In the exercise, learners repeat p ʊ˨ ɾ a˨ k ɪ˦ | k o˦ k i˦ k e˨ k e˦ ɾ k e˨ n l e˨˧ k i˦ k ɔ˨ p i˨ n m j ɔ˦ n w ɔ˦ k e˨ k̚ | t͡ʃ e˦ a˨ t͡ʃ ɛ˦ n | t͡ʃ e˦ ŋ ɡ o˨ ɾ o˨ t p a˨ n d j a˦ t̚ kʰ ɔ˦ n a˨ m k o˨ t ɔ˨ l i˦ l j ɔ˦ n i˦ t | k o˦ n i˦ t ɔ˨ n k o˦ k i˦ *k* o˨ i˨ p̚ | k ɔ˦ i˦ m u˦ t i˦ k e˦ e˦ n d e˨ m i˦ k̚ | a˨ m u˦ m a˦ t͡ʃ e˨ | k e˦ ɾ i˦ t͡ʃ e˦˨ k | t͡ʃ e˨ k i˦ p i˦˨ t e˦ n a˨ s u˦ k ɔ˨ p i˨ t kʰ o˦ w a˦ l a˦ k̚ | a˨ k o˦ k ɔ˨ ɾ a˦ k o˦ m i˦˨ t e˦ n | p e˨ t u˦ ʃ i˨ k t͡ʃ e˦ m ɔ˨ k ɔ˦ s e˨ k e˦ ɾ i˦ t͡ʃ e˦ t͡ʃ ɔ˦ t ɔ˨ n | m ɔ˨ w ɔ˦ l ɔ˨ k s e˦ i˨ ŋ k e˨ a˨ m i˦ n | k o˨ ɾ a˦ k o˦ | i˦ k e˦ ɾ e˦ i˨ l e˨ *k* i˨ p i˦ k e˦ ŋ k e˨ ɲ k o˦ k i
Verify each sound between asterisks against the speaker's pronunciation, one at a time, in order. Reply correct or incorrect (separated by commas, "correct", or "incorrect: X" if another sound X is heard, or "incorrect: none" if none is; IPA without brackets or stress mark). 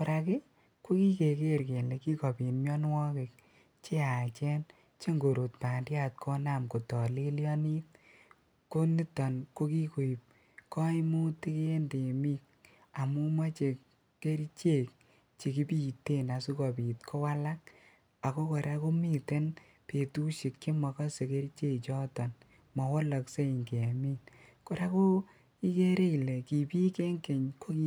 correct, correct